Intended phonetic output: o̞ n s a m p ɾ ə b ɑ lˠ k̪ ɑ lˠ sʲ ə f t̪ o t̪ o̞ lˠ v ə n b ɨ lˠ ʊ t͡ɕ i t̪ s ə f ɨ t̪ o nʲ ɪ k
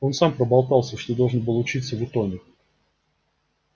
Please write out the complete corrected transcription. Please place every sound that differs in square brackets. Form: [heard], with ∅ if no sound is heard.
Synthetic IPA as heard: o̞ n s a m p ɾ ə b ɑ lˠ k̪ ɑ lˠ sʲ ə [ʂ] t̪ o [d̪] o̞ lˠ [ʐ] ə n b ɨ lˠ ʊ t͡ɕ i t̪ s ə [v] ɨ t̪ o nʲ ɪ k